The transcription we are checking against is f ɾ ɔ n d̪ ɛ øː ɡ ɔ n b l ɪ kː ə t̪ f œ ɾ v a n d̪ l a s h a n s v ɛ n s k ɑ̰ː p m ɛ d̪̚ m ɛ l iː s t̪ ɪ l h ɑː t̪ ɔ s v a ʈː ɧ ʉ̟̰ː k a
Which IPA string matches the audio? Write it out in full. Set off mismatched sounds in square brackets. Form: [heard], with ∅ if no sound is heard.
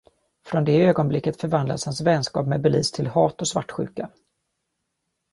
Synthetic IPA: f ɾ ɔ n d̪ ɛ øː ɡ ɔ n b l ɪ kː ə t̪ f œ ɾ v a n d̪ l a s h a n s v ɛ n s k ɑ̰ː p m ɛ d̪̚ [b] ɛ l iː s [t̪ʰ] ɪ l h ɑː t̪ ɔ s v a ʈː ɧ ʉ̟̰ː k a